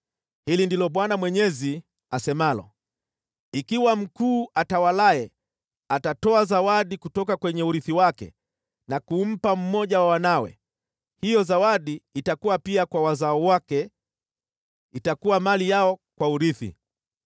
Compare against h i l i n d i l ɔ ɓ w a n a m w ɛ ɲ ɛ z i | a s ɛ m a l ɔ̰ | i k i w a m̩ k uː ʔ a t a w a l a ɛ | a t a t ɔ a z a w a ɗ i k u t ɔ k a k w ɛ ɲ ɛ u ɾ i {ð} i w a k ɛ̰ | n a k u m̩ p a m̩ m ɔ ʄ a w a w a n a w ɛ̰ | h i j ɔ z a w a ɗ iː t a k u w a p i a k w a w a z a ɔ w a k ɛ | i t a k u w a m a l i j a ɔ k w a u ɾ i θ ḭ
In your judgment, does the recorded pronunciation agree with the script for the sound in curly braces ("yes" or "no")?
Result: no